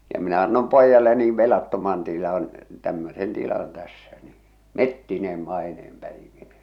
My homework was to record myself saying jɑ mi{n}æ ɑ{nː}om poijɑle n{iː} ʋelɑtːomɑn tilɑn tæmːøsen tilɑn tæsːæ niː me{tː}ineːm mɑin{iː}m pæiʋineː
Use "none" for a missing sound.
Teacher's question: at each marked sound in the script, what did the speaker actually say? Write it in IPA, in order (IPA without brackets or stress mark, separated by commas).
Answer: n, nː, iː, tː, eː